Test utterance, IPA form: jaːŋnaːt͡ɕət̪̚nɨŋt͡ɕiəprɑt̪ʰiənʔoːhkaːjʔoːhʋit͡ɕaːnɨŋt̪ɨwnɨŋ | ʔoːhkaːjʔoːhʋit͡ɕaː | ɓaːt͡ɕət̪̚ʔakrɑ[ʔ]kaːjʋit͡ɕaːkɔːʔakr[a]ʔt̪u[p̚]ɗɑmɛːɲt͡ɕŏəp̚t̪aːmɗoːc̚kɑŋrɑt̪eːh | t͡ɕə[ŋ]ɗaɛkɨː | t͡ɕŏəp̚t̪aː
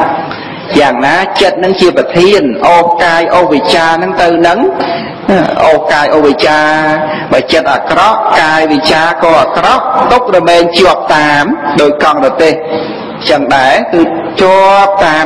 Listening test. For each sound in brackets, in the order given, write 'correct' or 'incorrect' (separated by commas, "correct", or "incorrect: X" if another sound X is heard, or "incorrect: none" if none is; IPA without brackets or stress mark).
correct, incorrect: ɑ, incorrect: k̚, correct